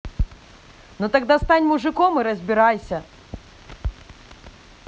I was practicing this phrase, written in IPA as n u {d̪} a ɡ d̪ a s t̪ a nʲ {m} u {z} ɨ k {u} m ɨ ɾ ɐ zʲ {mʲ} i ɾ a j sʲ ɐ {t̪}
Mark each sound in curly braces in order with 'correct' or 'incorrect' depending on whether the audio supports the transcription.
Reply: incorrect: t̪, correct, incorrect: ʐ, incorrect: ɔ, incorrect: bʲ, incorrect: none

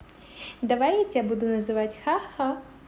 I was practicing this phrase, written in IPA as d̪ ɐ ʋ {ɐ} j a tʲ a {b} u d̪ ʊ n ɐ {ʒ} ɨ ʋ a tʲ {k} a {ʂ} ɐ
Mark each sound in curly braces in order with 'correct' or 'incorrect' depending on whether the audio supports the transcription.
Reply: incorrect: a, correct, incorrect: z, incorrect: x, incorrect: x

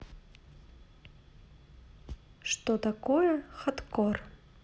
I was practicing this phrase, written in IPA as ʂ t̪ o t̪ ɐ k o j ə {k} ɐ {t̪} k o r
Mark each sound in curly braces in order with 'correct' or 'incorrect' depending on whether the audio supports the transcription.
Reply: incorrect: x, correct

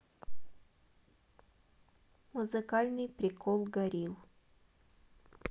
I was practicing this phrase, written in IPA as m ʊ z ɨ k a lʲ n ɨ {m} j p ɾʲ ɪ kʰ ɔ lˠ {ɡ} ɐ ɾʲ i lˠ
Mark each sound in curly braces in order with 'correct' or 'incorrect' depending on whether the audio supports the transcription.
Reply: incorrect: none, correct

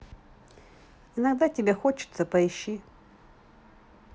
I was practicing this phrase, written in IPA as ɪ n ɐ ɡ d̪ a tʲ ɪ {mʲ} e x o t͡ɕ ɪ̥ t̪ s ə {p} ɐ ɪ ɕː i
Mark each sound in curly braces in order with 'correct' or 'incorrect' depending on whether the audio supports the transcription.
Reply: incorrect: bʲ, correct

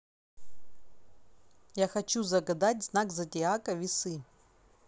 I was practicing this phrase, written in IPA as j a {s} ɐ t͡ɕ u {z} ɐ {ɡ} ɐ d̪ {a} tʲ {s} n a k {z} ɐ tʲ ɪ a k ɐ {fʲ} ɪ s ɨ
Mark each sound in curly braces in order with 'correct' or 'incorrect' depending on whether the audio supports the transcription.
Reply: incorrect: x, correct, correct, correct, incorrect: z, correct, incorrect: vʲ

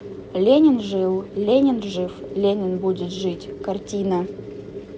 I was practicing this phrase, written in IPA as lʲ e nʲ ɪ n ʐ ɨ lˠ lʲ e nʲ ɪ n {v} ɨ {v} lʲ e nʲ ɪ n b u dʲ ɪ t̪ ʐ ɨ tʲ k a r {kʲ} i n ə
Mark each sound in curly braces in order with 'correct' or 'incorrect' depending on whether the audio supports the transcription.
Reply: incorrect: ʐ, incorrect: f, incorrect: tʲ

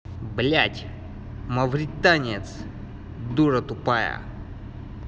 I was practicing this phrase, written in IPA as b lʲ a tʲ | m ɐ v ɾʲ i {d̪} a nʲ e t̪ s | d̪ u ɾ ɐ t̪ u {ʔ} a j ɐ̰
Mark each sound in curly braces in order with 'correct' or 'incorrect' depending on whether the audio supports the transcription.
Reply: incorrect: t̪, incorrect: p

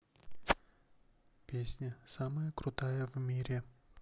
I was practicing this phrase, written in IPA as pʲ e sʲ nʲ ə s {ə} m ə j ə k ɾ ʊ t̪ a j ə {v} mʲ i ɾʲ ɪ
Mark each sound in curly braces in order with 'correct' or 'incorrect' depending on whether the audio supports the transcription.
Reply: incorrect: a, correct

